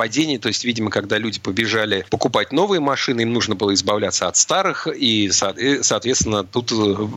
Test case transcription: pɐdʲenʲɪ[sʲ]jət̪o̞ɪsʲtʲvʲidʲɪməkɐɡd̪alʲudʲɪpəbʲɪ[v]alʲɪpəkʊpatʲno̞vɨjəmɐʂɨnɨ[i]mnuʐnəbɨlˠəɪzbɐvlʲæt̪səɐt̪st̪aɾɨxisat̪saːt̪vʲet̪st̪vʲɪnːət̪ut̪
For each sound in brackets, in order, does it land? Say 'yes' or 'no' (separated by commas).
no, no, yes